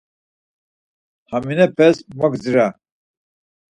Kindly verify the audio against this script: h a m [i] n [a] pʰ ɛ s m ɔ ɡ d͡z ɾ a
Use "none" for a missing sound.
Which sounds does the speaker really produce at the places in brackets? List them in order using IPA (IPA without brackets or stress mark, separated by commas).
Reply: i, ɛ